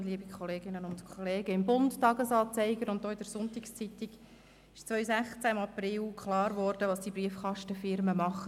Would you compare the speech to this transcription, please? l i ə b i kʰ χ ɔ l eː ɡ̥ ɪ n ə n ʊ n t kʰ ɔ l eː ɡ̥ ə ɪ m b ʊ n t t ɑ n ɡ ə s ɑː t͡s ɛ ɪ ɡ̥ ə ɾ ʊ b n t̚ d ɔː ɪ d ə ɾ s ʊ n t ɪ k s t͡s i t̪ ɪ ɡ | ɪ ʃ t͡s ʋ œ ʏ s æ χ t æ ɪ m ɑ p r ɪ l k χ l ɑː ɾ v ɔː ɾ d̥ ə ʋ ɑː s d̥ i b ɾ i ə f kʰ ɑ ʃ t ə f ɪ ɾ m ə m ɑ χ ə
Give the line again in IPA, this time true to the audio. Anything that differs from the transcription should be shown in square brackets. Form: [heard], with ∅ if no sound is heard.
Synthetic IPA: l i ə b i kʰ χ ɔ l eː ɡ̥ ɪ n ə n ʊ n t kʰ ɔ l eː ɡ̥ ə ɪ m b ʊ n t t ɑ [∅] ɡ ə s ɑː t͡s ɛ ɪ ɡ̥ ə ɾ ʊ [∅] n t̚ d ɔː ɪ d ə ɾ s ʊ n t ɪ k s t͡s i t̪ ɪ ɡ | ɪ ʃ t͡s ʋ œ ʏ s æ χ [t͡s] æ ɪ m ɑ p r ɪ l k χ l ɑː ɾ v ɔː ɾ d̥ ə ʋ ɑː s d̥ i b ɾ i ə f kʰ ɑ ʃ t ə f ɪ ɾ m ə m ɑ χ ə